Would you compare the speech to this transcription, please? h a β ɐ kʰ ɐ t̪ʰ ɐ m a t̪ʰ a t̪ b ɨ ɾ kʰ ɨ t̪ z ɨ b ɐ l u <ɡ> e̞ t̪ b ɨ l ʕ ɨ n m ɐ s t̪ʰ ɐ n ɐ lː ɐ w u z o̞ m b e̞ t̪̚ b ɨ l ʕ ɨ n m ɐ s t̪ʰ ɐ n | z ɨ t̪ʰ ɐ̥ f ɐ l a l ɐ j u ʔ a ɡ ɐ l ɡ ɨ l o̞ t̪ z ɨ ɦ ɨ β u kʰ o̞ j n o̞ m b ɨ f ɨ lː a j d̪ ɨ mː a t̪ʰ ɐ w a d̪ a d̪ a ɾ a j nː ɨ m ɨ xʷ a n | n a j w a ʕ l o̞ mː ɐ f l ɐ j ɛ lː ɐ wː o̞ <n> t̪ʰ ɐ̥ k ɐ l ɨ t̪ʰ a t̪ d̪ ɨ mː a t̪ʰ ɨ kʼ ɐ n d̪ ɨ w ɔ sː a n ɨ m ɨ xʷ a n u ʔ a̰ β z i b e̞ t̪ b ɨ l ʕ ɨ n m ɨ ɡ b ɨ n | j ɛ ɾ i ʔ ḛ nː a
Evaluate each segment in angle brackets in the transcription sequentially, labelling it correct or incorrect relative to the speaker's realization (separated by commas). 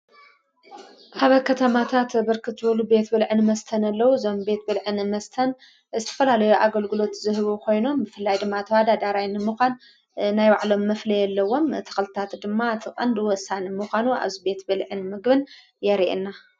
incorrect, incorrect